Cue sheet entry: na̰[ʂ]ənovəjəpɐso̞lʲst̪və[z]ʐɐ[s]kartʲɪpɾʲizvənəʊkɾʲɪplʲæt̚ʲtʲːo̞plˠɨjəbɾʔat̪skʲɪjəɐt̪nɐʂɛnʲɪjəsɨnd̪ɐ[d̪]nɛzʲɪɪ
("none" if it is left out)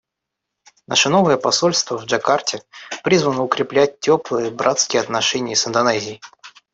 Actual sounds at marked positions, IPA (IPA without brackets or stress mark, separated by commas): ʂ, v, none, none